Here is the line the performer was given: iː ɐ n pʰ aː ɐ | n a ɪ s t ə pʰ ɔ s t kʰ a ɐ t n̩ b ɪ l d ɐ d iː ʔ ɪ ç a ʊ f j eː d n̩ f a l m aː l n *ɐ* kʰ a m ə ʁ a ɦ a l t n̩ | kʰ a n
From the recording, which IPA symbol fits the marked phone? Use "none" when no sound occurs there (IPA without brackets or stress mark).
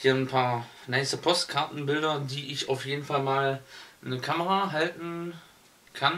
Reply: ə